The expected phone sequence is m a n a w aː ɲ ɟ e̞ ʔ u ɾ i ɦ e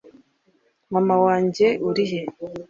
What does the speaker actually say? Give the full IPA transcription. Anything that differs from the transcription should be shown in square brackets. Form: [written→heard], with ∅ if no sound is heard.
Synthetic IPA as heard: m a [n→m] a w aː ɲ ɟ e̞ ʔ u ɾ i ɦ e

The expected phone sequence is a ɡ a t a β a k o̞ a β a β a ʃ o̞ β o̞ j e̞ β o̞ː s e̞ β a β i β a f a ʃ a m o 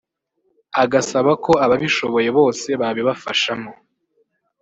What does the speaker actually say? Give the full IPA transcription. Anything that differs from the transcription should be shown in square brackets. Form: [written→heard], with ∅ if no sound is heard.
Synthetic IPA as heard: a ɡ a [t→s] a β a k o̞ a β a β [a→i] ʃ o̞ β o̞ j e̞ β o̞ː s e̞ β a β i β a f a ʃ a m o

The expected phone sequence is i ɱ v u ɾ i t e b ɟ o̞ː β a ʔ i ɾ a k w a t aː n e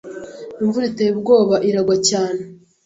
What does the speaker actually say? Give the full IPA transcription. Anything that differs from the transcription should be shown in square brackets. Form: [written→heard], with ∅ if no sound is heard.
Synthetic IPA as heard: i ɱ v u ɾ i t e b [ɟ→ɡ] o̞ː β a ʔ i ɾ a [k→ɡ] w a [t→c] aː n e

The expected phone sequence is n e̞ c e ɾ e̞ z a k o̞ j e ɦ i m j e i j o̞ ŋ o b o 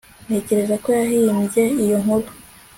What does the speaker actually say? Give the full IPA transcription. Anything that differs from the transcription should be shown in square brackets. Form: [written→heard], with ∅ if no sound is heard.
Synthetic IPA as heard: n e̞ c e ɾ e̞ z a k o̞ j [e→a] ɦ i m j e i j o̞ ŋ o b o

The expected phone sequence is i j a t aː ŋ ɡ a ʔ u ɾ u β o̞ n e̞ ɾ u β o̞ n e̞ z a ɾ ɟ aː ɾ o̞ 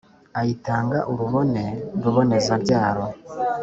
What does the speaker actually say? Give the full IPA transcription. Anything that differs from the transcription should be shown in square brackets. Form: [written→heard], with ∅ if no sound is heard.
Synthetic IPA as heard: [i→a] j [a→i] t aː ŋ ɡ a ʔ u ɾ u β o̞ n e̞ ɾ u β o̞ n e̞ z a ɾ ɟ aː ɾ o̞

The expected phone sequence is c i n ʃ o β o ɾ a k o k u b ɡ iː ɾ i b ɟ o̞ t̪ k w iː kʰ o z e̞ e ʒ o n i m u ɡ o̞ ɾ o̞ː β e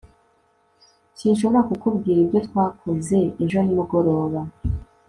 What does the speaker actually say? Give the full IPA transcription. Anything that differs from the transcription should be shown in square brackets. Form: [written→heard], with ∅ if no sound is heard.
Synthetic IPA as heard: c i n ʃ o β o ɾ a k [o→u] k u b ɡ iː ɾ i b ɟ o̞ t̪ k w [iː→aː] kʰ o z e̞ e ʒ o n i m u ɡ o̞ ɾ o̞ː β [e→a]

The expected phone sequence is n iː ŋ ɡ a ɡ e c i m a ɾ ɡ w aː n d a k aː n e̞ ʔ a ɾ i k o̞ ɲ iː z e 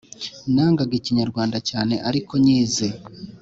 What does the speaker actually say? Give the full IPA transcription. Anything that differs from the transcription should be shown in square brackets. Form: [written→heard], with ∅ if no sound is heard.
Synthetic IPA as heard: n [iː→aː] ŋ ɡ a ɡ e c i [m→ɲ] a ɾ ɡ w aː n d a [k→c] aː n e̞ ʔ a ɾ i k o̞ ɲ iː z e

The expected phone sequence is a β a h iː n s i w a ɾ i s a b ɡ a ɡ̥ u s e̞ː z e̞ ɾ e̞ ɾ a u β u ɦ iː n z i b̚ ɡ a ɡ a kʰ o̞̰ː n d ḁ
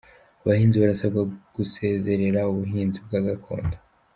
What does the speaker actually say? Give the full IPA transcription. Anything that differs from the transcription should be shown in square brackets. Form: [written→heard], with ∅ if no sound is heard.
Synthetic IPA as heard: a β a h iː n [s→z] i [w→β] a ɾ [i→a] s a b ɡ a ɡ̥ u s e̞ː z e̞ ɾ e̞ ɾ a u β u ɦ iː n z i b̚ ɡ a ɡ a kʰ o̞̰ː n d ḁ

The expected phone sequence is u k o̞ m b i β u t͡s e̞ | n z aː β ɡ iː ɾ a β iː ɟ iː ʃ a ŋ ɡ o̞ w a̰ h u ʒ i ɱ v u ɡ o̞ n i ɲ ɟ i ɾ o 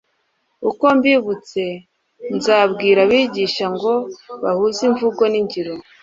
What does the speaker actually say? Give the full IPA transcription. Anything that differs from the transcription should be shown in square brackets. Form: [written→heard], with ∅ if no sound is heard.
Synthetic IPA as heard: u k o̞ m b i β u t͡s e̞ | n z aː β ɡ iː ɾ a β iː ɟ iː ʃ a ŋ ɡ o̞ [w→β] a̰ h u [ʒ→z] i ɱ v u ɡ o̞ n i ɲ ɟ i ɾ o

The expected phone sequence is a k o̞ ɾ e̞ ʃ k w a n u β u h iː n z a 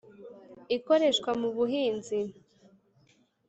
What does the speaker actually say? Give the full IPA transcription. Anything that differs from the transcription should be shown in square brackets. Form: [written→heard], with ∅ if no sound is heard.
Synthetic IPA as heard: [a→i] k o̞ ɾ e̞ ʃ k w a [n→m] u β u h iː n z [a→i]

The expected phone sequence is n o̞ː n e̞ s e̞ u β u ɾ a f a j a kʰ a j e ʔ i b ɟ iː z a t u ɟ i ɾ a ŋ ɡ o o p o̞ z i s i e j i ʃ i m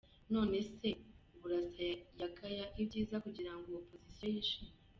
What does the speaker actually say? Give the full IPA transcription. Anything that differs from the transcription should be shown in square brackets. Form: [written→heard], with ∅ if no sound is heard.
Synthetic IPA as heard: n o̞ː n e̞ s e̞ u β u ɾ a [f→s] a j a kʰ a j [e→a] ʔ i b ɟ iː z a [t→k] u ɟ i ɾ a ŋ ɡ o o p o̞ z i s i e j i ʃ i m

